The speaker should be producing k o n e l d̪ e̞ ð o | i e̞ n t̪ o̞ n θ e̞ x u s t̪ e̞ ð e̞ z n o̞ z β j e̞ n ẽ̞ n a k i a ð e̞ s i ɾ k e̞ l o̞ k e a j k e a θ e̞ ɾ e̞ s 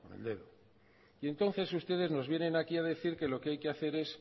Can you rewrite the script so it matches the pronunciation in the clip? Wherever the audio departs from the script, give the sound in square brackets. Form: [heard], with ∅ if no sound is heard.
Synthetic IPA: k o n e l d̪ e̞ ð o | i e̞ n t̪ o̞ n θ e̞ [s] u s t̪ e̞ ð e̞ z n o̞ z β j e̞ n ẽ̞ n a k i a ð e̞ [θ] i ɾ k e̞ l o̞ k e a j k e a θ e̞ ɾ e̞ s